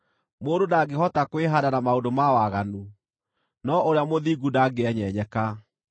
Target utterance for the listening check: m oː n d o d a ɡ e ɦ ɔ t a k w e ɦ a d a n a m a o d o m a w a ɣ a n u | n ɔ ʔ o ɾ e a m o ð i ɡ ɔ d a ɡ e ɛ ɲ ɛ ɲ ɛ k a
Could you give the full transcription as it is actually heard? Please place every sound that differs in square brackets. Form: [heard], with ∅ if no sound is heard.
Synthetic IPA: m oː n d o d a ɡ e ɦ ɔ t a k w e ɦ a d a n a m a o d o m a w a ɣ a n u | n ɔ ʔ o ɾ e a m o ð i ɡ [u] d a ɡ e ɛ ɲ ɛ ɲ ɛ k a

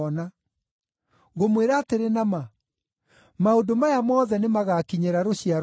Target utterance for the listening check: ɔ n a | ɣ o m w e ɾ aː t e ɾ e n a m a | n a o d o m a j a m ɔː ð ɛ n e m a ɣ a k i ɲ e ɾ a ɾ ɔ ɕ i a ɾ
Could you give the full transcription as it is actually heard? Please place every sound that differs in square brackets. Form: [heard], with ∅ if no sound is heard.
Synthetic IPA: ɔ n a | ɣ o m w e ɾ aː t e ɾ e n a m a | [m] a o d o m a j a m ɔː ð ɛ n e m a ɣ a k i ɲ e ɾ a ɾ [o] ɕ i a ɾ

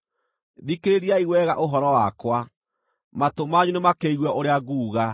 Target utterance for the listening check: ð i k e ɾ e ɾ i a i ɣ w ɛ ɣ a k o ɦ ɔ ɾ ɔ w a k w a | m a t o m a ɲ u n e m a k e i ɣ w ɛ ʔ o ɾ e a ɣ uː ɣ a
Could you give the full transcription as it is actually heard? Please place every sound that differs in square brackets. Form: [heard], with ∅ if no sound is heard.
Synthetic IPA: ð i k e ɾ e ɾ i a i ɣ w ɛ ɣ a [ʔ] o ɦ ɔ ɾ ɔ w a k w a | m a t o m a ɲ u n e m a k e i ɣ w ɛ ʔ o ɾ e a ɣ uː ɣ a

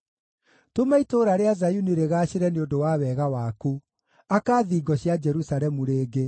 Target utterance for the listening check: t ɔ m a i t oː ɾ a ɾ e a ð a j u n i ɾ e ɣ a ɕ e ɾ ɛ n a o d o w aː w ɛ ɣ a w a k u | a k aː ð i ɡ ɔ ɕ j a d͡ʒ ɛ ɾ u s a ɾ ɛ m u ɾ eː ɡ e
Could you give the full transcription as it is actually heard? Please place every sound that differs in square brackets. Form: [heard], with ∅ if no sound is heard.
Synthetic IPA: t [o] m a i t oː ɾ a ɾ e a [z] a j u n i ɾ e ɣ a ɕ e ɾ ɛ n [e] o d o w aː w ɛ ɣ a w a k u | a k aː ð i ɡ ɔ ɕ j a d͡ʒ ɛ ɾ u s a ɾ ɛ m u ɾ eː ɡ e

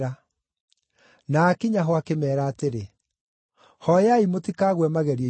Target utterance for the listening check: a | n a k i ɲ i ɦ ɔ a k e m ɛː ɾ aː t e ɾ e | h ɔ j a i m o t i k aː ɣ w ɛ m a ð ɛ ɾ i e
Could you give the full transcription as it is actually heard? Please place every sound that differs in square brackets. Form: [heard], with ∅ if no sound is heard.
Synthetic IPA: a | n a k i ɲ [a] ɦ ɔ a k e m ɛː ɾ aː t e ɾ e | h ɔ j a i m o t i k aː ɣ w ɛ m a [ɣ] ɛ ɾ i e

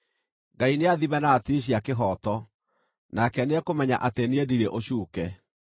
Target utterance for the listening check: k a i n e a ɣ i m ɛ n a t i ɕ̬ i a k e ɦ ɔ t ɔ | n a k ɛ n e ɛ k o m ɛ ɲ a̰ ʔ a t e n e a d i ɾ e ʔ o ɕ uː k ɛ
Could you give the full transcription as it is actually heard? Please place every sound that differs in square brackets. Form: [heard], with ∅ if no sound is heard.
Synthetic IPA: [ɡ] a i n e a [ð] i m ɛ n a t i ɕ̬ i a k e ɦ ɔ t ɔ | n a k ɛ n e ɛ k o m ɛ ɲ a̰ ʔ a t e n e [e] d i ɾ e ʔ o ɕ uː k ɛ

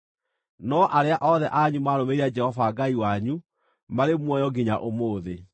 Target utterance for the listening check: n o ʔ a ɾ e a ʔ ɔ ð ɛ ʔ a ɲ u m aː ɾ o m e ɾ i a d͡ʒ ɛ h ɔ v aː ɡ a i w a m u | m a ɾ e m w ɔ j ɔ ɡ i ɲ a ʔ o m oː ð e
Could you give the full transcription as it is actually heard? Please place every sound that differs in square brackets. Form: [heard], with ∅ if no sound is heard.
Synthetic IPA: n [ɔ] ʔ a ɾ e a ʔ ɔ ð ɛ ʔ a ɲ u m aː ɾ o m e ɾ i a d͡ʒ ɛ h ɔ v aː ɡ a i w a [ɲ] u | m a ɾ e m w ɔ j ɔ ɡ i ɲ a ʔ o m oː ð e

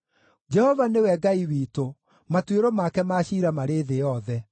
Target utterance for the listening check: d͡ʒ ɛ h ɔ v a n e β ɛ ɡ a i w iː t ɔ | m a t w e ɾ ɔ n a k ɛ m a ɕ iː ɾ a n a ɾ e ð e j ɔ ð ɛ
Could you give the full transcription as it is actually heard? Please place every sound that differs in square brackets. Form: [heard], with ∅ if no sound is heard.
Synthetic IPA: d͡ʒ ɛ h ɔ v a n e [w] ɛ ɡ a i w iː t [o] | m a t w e ɾ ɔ [m] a k ɛ m a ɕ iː ɾ a [m] a ɾ e ð e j ɔ ð ɛ

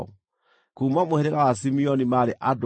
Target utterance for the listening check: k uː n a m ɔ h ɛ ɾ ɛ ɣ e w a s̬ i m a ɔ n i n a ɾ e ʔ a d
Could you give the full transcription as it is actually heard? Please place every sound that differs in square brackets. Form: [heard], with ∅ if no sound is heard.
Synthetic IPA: k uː [m] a m [o] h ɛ ɾ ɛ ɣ [a] w a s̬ i m [i] ɔ n i [m] a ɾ e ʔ a d

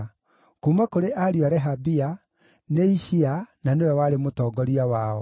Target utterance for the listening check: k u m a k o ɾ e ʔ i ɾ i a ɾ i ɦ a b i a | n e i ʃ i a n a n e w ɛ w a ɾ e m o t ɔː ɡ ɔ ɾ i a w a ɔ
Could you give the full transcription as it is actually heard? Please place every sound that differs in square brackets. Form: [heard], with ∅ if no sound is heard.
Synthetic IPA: k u m a k o ɾ e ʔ [a] ɾ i a ɾ [ɛ] ɦ a b i a | n e i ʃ i a n a n e w ɛ w a ɾ e m o t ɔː ɡ ɔ ɾ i a w a ɔ

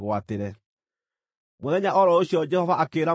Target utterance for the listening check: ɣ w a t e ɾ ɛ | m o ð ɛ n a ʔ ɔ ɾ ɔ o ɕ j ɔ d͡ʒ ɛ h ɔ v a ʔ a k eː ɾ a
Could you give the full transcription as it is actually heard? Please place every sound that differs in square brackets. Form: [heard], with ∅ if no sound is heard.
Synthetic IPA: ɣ w a t e ɾ ɛ | m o ð ɛ [ɲ] a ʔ ɔ ɾ ɔ o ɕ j ɔ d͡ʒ ɛ h ɔ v a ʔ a k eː ɾ a

